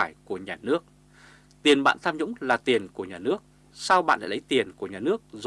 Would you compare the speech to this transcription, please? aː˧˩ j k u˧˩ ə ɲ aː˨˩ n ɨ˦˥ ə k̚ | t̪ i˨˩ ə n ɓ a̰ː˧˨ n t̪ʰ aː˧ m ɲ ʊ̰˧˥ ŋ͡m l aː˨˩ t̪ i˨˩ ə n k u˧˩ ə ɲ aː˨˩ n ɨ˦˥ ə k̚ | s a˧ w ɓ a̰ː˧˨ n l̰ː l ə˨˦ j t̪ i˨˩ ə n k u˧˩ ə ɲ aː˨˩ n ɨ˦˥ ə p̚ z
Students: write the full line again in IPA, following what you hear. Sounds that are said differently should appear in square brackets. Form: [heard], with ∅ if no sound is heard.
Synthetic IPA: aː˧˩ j k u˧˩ ə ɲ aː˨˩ n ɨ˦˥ ə k̚ | t̪ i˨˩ ə n ɓ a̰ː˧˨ n t̪ʰ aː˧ m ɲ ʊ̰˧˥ ŋ͡m l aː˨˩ t̪ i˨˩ ə n k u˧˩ ə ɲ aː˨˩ n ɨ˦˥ ə k̚ | s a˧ w ɓ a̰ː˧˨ n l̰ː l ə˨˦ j t̪ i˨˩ ə n k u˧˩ ə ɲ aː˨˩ n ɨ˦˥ ə [k̚] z